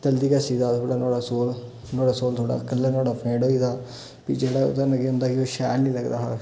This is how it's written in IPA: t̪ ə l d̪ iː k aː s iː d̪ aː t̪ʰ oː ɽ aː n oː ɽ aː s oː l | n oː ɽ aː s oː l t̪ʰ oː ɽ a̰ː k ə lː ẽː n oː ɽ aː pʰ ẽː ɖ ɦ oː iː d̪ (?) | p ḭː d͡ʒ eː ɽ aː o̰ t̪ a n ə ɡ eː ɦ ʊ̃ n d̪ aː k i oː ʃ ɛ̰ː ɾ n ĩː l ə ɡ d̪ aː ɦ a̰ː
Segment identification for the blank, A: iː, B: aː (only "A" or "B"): B